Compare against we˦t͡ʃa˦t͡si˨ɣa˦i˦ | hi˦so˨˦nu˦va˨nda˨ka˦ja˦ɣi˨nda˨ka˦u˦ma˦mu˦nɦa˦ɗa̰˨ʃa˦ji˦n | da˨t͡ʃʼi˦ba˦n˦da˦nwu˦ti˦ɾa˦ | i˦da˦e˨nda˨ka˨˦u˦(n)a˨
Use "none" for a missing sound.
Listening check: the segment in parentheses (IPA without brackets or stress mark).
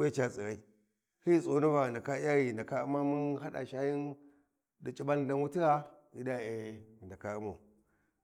m